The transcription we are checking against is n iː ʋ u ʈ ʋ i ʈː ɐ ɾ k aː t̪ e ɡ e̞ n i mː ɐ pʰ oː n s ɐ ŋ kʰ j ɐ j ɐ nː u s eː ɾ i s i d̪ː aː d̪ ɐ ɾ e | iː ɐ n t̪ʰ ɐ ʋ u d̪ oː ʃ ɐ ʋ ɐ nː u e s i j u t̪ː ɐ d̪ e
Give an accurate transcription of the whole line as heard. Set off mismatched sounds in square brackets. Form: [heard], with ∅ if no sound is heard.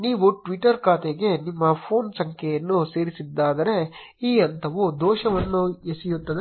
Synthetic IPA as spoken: n iː ʋ u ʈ ʋ i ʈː ɐ ɾ k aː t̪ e ɡ e̞ n i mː ɐ pʰ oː n s ɐ ŋ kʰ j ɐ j ɐ nː u s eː ɾ i s i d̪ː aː d̪ ɐ ɾ e | iː ɐ n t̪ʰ ɐ ʋ u d̪ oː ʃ ɐ ʋ ɐ nː u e s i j u t̪ː ɐ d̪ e